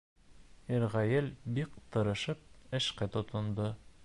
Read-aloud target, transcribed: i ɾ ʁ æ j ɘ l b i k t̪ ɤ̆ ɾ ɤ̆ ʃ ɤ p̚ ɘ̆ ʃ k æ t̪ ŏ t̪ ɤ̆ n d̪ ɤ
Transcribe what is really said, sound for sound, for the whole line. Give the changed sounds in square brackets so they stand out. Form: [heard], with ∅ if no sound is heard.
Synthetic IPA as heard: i ɾ ʁ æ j ɘ l b i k t̪ ɤ̆ ɾ ɤ̆ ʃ ɤ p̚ ɘ̆ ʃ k æ t̪ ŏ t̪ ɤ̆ n d̪ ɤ

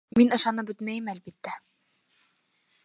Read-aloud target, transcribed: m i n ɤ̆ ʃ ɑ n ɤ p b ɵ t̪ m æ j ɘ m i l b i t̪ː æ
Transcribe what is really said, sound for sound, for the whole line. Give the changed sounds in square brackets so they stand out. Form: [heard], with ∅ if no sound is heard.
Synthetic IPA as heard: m i n ɤ̆ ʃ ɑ n ɤ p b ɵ t̪ m æ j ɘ m [æ] l b i t̪ː æ

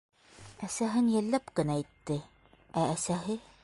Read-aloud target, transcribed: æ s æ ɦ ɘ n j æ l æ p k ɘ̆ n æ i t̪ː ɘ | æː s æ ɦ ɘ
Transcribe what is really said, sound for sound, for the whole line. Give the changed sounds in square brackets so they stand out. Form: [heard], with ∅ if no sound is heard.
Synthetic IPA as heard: æ s æ ɦ ɘ n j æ [lː] æ p k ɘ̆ n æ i t̪ː ɘ | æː s æ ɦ ɘ

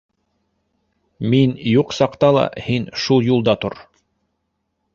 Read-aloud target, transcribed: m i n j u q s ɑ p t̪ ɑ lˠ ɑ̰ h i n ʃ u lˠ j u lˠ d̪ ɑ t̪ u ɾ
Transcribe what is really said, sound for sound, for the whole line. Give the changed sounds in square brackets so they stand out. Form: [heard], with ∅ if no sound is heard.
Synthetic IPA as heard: m i n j u q s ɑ [q] t̪ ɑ lˠ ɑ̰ h i n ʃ u lˠ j u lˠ d̪ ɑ t̪ [o] ɾ

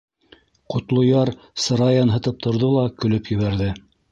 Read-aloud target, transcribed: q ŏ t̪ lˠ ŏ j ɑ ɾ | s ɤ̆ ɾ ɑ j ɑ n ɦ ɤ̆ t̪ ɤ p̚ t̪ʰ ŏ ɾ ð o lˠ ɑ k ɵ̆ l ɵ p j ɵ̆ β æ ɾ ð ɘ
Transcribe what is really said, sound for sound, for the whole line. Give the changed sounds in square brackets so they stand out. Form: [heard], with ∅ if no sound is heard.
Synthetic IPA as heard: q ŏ t̪ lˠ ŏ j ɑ ɾ | s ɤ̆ ɾ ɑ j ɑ n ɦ ɤ̆ t̪ ɤ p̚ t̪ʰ ŏ ɾ ð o lˠ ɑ k ɵ̆ l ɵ p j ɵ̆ β æ ɾ ð ɘ

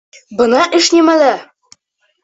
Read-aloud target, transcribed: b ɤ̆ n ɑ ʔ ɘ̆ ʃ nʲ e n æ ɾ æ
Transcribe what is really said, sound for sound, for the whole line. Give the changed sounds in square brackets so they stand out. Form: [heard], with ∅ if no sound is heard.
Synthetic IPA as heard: b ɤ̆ n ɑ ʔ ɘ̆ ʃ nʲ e [m] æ [l] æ

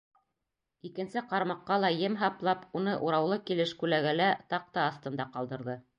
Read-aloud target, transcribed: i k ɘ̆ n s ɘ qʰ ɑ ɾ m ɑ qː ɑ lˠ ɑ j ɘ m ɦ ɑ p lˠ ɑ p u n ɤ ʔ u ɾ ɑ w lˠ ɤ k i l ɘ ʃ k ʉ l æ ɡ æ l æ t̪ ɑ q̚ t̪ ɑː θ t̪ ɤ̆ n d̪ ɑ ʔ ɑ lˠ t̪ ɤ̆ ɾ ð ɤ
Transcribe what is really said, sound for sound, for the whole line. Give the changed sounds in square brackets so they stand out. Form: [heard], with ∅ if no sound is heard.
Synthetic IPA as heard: i k ɘ̆ n s ɘ [q] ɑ ɾ m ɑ qː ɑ lˠ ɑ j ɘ m ɦ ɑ p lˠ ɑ p u n ɤ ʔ u ɾ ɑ w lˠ ɤ k i l ɘ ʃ k ʉ l æ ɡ æ l æ t̪ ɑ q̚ t̪ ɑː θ t̪ ɤ̆ n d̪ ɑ [q] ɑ lˠ [d̪] ɤ̆ ɾ ð ɤ

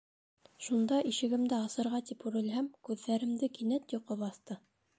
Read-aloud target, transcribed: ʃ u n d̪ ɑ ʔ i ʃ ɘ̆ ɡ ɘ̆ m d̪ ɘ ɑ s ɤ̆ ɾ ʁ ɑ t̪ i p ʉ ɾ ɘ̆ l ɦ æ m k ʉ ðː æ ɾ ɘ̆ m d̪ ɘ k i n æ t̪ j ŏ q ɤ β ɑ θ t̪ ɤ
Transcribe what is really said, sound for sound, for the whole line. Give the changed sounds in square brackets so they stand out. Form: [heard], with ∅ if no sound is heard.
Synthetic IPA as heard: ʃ u n d̪ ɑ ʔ i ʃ ɘ̆ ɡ ɘ̆ m d̪ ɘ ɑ s ɤ̆ ɾ ʁ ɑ t̪ i p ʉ ɾ ɘ̆ l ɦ æ m k ʉ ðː æ ɾ ɘ̆ m d̪ ɘ k i n æ t̪ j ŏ q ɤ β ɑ θ t̪ ɤ

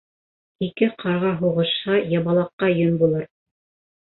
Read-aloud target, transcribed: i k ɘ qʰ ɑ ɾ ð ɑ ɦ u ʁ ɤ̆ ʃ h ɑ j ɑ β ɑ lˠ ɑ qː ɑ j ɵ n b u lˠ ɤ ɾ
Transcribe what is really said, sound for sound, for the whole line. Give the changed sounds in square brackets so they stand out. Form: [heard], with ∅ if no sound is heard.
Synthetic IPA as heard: i k ɘ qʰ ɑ ɾ [ʁ] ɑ ɦ u ʁ ɤ̆ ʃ h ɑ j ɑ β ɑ lˠ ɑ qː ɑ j ɵ n b u lˠ ɤ ɾ

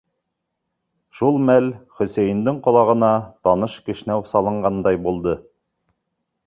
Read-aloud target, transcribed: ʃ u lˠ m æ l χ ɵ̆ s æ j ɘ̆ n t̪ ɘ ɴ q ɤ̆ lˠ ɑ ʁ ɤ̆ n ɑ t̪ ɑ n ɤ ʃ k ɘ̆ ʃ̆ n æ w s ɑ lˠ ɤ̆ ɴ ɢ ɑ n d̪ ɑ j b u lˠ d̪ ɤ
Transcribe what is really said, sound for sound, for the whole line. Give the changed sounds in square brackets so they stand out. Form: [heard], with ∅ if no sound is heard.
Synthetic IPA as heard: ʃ u lˠ m æ l χ ɵ̆ s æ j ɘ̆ n [d̪] ɘ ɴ q [ŏ] lˠ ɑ ʁ ɤ̆ n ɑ t̪ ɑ n ɤ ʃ k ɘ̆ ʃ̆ n æ w s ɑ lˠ ɤ̆ ɴ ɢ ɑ n d̪ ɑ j b u lˠ d̪ ɤ

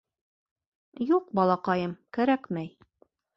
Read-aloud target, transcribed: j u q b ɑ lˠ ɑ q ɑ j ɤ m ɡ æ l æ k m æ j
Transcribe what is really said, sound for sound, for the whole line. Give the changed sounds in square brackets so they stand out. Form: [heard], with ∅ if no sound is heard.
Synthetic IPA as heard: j u q b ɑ lˠ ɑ q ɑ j ɤ m [k] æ [ɾ] æ k m æ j

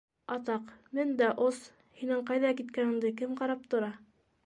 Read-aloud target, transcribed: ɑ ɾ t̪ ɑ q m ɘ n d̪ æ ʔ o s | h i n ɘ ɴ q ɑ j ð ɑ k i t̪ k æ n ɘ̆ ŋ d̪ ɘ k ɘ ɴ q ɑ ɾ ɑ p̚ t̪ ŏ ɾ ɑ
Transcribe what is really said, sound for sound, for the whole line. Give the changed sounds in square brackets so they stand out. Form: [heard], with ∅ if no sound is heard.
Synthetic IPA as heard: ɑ [∅] t̪ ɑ q m ɘ n d̪ æ ʔ o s | h i n ɘ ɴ q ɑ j ð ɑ k i t̪ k æ n ɘ̆ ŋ d̪ ɘ k ɘ [m] q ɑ ɾ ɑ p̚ t̪ ŏ ɾ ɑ

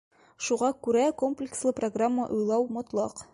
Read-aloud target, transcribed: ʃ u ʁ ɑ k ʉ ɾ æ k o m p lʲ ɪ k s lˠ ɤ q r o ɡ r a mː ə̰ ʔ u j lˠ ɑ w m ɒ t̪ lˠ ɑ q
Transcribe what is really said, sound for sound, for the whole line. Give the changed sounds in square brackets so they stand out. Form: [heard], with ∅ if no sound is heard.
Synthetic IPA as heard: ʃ u ʁ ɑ k ʉ ɾ æ k o m p lʲ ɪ k s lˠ ɤ [p] r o ɡ r a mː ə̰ ʔ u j lˠ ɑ w m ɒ t̪ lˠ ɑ q

